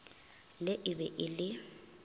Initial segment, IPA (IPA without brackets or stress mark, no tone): l